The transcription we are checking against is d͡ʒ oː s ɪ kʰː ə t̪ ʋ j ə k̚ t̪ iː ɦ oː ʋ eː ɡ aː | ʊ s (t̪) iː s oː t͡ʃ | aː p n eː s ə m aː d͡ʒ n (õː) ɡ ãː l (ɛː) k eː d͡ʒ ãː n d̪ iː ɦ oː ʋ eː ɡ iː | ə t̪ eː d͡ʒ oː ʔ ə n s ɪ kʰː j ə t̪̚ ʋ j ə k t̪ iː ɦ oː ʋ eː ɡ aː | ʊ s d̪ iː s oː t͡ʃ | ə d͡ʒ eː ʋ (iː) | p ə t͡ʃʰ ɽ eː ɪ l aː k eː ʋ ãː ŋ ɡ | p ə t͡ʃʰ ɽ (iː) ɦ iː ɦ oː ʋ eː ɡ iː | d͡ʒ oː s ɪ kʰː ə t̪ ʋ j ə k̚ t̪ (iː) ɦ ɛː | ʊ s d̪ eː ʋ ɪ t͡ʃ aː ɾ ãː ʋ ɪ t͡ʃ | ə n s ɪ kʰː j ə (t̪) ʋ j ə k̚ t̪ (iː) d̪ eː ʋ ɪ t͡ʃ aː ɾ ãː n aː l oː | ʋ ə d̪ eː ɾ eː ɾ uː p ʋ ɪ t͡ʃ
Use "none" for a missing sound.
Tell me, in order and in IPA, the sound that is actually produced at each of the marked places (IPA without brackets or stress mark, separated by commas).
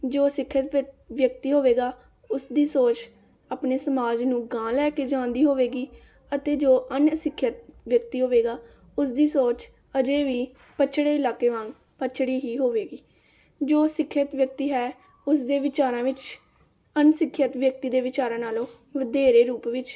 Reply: d̪, ũː, ɛː, iː, iː, iː, t̪, iː